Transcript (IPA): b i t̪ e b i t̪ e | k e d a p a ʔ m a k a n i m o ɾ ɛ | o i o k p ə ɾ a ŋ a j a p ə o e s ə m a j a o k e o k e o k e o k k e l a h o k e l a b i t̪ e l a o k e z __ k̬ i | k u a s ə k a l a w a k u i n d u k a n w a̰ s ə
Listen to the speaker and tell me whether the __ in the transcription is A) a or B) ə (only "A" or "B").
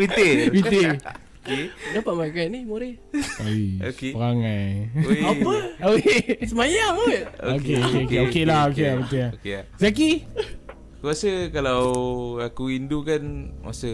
A